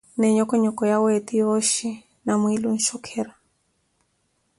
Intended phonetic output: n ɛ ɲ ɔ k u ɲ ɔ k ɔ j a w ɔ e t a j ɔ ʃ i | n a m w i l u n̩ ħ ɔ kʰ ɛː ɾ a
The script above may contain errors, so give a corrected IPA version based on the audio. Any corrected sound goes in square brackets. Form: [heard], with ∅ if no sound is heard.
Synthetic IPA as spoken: n ɛ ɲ ɔ k [ɔ] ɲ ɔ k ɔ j a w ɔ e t [i] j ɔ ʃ i | n a m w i l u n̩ [ʃ] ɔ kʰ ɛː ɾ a